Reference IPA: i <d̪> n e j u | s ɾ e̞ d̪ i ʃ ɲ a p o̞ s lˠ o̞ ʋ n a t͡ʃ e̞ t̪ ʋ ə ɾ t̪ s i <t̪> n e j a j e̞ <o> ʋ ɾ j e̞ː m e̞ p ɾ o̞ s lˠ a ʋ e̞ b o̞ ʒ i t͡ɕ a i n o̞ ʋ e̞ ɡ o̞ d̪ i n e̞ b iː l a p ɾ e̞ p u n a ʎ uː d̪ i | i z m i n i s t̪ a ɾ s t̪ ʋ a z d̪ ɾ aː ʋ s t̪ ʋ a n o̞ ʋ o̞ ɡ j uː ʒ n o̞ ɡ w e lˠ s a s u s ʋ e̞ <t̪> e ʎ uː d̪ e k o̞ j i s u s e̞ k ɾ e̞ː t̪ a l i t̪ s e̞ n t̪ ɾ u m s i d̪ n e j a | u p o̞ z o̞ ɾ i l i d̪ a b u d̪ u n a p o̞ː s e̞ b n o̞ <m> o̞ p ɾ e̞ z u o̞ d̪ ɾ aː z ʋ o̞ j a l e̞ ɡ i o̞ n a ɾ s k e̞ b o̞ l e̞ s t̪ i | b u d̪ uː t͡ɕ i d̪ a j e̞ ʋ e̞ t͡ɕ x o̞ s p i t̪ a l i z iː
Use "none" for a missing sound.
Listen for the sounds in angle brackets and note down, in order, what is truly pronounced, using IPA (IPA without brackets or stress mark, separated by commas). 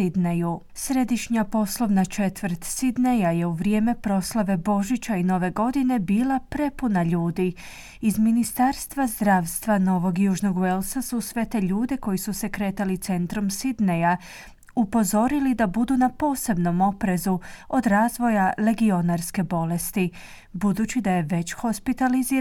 d̪, d̪, u, t̪, m